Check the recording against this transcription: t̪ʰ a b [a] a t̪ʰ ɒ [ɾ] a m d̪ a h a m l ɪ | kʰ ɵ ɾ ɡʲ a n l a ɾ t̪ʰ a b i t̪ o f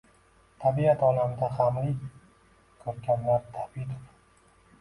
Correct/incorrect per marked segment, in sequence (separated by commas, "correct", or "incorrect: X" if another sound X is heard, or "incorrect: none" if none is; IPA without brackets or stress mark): incorrect: i, incorrect: l